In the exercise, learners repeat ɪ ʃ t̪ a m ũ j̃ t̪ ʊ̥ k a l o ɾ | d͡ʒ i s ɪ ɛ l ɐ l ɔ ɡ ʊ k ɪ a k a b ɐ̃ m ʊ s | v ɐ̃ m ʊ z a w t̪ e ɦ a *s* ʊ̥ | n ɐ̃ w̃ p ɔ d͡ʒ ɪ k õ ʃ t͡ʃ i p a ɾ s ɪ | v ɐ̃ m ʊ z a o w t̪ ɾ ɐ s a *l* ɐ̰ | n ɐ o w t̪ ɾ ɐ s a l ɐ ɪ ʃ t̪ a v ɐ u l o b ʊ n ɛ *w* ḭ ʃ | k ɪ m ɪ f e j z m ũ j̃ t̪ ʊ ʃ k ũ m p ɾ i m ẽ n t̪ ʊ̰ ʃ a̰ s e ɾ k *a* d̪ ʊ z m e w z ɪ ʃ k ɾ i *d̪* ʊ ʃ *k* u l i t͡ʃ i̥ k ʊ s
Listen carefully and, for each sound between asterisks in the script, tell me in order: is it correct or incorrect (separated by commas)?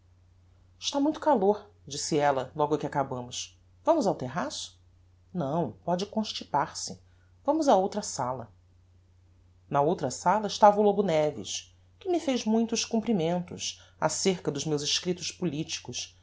correct, correct, incorrect, incorrect, incorrect, incorrect